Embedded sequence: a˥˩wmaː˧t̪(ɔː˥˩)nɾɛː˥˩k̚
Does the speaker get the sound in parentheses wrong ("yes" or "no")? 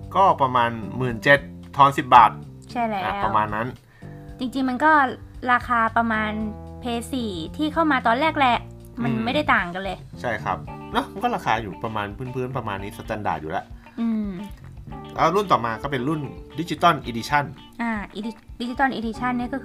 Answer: yes